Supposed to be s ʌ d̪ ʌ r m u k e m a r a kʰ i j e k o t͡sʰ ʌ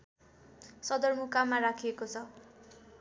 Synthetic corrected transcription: s ʌ d̪ ʌ r m u k a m a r a kʰ i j e k o t͡sʰ ʌ